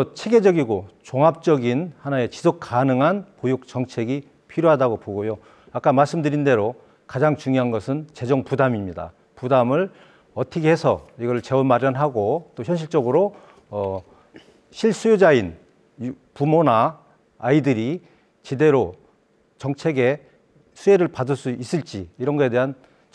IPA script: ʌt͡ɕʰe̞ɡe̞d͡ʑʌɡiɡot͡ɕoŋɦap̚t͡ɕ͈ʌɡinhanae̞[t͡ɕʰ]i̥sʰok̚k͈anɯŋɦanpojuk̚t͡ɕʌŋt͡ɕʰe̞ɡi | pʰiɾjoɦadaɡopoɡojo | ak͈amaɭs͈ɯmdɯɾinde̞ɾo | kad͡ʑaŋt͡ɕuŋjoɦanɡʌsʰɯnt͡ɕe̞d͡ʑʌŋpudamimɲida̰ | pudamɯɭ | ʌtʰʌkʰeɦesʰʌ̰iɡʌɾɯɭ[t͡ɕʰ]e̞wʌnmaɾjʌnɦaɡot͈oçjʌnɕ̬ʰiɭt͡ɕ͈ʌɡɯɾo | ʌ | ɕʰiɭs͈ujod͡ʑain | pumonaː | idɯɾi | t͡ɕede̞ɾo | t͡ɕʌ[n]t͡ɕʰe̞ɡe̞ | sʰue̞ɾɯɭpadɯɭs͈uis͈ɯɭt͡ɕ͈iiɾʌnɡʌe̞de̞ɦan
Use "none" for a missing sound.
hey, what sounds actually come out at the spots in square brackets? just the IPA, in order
t͡ɕ, t͡ɕ, ŋ

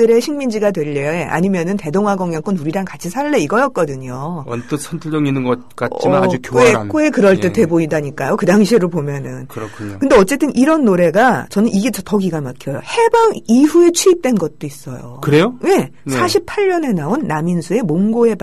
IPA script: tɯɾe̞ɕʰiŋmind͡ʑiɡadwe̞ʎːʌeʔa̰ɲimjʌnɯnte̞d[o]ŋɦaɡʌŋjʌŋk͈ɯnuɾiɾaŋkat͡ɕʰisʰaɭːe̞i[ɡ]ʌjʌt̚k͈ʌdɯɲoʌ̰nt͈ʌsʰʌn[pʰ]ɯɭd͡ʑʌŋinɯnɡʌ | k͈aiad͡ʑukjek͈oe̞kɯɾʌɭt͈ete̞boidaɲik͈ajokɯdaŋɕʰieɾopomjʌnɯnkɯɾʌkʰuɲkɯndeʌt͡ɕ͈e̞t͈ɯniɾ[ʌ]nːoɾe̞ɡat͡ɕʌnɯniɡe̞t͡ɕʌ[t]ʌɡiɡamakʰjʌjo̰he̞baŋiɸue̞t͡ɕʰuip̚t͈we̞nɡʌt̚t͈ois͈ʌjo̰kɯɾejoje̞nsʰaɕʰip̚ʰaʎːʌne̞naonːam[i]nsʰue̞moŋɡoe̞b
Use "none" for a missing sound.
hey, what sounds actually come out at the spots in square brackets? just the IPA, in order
o, ɡ, tʰ, ʌ, t, i

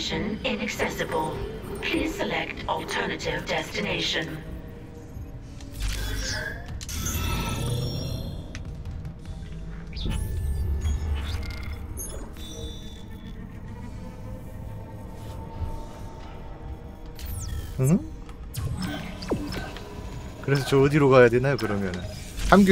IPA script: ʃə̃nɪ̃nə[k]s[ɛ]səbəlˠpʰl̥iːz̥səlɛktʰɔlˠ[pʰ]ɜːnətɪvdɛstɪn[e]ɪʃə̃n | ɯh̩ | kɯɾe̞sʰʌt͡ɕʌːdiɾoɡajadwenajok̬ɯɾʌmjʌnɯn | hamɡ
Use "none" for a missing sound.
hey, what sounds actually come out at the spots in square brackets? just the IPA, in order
k, ɛ, tʰ, e

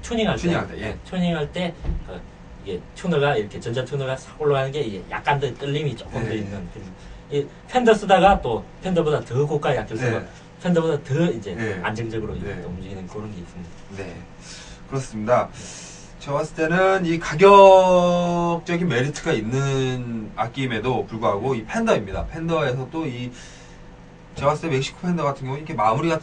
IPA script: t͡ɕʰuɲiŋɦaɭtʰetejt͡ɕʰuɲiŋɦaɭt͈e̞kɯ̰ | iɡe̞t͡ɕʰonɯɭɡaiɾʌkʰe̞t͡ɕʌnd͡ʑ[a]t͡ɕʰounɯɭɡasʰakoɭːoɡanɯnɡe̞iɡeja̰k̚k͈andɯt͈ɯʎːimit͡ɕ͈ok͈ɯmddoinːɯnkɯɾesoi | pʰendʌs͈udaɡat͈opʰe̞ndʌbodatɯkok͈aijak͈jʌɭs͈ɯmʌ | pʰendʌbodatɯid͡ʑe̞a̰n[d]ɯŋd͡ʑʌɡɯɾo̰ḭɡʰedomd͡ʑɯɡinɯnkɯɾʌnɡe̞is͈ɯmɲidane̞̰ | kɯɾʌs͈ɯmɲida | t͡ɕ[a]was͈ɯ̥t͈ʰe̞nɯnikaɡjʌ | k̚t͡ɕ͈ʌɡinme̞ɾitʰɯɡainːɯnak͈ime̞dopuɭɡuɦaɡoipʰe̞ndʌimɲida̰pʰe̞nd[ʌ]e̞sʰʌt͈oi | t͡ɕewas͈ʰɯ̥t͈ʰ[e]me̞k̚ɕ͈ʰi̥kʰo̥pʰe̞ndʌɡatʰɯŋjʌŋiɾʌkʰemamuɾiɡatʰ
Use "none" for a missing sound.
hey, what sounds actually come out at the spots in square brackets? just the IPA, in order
a, d͡ʑ, e, ʌ, e

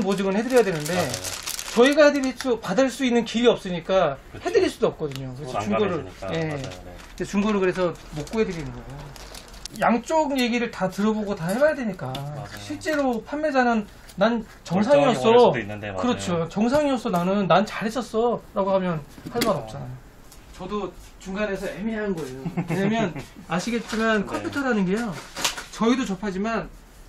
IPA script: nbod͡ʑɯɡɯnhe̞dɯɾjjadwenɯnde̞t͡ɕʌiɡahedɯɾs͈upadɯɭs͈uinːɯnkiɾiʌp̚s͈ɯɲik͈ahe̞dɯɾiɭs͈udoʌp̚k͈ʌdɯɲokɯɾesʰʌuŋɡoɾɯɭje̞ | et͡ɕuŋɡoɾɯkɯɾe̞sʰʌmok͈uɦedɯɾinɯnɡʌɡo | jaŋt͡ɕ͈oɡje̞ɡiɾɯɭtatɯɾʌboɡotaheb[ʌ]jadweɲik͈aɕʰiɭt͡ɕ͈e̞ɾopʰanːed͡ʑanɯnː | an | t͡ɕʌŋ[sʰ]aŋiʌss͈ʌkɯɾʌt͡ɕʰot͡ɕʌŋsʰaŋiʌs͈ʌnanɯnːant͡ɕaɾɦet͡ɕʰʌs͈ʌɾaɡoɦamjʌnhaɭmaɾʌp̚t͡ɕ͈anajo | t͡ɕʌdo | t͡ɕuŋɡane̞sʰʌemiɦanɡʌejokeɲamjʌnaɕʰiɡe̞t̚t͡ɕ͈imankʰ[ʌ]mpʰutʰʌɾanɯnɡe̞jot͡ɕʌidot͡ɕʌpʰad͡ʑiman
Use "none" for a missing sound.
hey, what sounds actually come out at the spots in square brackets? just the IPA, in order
a, sʰ, ʌ

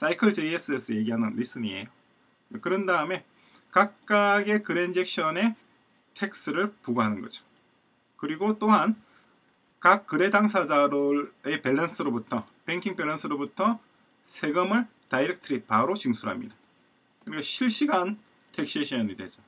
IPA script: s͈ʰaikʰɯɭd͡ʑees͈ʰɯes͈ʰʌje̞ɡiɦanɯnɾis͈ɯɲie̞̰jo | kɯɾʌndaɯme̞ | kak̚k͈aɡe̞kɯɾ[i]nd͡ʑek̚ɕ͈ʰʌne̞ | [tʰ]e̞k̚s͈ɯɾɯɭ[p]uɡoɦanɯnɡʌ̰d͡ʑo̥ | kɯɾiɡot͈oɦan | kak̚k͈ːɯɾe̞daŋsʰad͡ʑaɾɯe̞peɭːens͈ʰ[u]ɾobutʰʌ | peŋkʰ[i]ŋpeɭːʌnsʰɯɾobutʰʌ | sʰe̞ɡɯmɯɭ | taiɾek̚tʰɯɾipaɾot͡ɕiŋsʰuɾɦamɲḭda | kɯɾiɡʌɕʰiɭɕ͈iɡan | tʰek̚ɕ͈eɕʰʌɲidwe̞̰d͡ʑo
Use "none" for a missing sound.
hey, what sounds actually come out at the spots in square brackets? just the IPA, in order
e, tʰ, p, ɯ, i

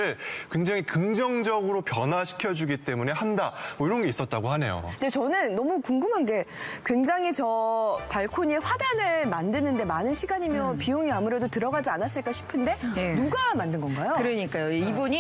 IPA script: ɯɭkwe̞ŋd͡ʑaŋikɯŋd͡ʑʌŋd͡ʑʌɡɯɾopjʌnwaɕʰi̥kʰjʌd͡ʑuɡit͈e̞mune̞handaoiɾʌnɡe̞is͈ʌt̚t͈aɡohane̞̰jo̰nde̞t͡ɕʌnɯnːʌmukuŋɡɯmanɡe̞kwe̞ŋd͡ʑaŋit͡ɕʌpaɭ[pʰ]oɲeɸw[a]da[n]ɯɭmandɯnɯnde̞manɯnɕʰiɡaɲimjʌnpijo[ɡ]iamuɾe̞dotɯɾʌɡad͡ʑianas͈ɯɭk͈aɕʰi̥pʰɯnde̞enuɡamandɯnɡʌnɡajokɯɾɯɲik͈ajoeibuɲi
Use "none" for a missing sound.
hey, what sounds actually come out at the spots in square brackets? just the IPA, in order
kʰ, a, n, ŋ

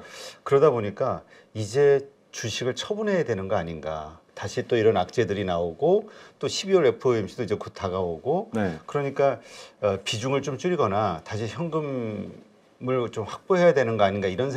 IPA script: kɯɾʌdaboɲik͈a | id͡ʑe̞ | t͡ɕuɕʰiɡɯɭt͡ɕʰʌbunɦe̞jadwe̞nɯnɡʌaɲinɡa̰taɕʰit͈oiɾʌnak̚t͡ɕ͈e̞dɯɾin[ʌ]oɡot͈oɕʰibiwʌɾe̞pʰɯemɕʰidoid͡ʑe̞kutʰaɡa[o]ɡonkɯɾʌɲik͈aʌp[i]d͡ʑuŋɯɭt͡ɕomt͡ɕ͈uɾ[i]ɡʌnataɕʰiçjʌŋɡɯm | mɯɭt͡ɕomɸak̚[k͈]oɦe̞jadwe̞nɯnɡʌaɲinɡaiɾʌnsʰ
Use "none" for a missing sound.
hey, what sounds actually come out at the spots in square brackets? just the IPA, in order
a, o, i, i, p͈

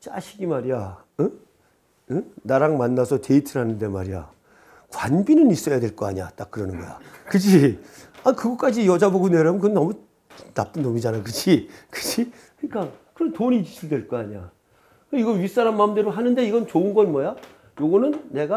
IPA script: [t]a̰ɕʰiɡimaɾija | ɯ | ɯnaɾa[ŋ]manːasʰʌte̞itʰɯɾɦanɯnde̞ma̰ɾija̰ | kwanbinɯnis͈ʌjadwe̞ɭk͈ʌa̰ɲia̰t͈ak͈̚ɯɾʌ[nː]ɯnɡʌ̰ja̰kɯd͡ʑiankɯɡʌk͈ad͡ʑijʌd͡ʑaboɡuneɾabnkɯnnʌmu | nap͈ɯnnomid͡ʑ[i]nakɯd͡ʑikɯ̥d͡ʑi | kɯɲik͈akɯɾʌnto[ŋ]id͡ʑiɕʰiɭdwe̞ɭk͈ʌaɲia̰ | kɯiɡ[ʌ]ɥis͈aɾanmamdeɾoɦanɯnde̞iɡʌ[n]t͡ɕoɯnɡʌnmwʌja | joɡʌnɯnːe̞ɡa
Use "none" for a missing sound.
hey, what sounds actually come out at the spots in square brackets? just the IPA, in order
t͡ɕ, ŋ, n, a, ɲ, ʌ, n

